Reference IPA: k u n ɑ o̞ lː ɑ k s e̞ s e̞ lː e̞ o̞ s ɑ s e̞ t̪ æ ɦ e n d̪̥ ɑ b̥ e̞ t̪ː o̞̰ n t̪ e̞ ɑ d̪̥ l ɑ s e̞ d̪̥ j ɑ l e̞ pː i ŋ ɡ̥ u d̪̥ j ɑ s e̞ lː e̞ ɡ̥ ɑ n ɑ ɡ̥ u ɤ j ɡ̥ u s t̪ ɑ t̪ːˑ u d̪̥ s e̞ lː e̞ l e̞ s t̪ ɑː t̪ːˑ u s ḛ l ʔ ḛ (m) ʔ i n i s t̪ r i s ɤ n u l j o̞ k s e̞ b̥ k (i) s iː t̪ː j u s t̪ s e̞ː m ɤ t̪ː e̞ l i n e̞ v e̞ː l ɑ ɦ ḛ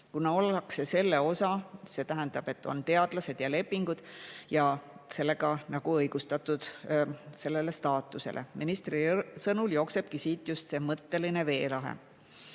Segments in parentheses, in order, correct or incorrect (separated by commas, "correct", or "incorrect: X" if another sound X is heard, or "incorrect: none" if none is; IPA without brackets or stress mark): correct, correct